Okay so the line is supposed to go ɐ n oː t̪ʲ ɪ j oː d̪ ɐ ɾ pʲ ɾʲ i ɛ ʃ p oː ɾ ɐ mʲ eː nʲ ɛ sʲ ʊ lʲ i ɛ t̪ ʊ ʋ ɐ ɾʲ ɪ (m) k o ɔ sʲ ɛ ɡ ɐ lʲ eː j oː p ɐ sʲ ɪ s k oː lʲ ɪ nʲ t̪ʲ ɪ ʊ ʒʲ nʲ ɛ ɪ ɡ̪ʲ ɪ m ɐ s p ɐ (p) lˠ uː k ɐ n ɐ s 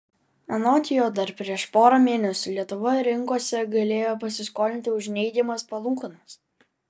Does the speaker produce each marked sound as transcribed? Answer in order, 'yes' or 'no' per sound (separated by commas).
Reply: no, no